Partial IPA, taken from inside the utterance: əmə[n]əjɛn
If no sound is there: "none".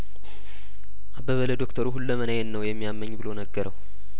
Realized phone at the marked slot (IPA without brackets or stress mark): n